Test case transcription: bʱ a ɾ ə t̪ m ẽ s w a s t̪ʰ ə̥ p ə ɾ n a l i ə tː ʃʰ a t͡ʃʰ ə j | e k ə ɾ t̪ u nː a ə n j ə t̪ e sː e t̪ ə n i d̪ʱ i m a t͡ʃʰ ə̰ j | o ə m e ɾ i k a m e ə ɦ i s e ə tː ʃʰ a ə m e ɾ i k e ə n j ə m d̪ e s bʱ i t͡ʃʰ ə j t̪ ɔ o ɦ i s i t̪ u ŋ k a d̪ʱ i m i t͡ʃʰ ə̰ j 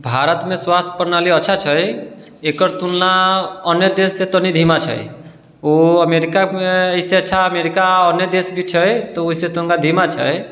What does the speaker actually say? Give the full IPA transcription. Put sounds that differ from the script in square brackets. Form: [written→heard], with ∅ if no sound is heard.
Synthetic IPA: bʱ a ɾ ə t̪ m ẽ s w a s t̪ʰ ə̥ p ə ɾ n a l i ə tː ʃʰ a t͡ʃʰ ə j | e k ə ɾ t̪ u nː a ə n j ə [t̪→d̪] e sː e t̪ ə n i d̪ʱ i m a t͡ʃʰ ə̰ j | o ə m e ɾ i k a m e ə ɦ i s e ə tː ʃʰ a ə m e ɾ i k [e→a] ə n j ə [m→∅] d̪ e s bʱ i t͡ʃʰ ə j t̪ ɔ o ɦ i s [i→e] t̪ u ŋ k a d̪ʱ i m [i→a] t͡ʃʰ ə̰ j